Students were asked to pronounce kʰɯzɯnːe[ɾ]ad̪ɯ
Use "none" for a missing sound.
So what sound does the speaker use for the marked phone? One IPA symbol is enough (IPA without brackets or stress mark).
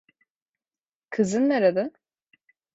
ɾ